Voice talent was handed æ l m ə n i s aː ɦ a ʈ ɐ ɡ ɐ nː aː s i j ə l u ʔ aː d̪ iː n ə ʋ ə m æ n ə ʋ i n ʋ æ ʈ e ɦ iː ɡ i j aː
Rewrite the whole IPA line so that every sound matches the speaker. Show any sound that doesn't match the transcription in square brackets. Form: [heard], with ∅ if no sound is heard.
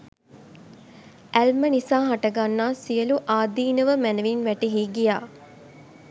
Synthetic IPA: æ l m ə n i s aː ɦ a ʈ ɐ ɡ [a] nː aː s i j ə l u ʔ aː d̪ iː n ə ʋ ə m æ n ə ʋ i n ʋ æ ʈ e ɦ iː ɡ i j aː